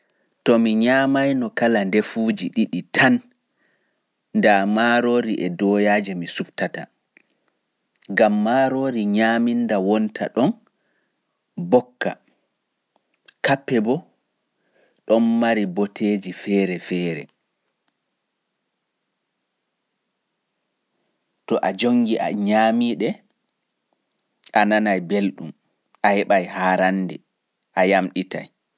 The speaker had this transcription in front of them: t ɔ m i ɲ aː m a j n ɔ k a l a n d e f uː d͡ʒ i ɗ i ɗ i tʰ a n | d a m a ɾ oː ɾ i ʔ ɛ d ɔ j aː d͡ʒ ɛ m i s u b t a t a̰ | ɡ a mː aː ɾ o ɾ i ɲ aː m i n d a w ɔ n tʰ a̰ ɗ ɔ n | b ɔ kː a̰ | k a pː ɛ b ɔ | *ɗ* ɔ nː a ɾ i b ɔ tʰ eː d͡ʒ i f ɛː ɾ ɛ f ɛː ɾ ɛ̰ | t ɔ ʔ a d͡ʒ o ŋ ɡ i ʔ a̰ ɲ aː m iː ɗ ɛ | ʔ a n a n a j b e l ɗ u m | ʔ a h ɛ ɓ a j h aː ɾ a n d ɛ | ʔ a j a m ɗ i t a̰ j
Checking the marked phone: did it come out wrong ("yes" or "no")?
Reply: no